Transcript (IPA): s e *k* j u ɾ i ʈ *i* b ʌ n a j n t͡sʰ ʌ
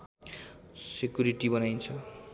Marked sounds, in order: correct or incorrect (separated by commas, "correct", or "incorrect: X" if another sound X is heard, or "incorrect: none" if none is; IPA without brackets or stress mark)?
correct, correct